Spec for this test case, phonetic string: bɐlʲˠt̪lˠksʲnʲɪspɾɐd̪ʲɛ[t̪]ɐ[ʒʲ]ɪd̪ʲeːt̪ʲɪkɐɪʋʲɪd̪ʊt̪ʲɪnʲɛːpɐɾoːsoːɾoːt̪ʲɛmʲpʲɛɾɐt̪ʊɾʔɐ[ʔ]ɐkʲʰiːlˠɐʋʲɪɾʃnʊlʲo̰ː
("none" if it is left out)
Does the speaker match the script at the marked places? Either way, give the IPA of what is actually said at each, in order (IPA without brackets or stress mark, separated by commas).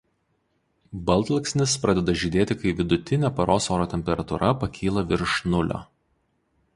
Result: d̪, ʒʲ, p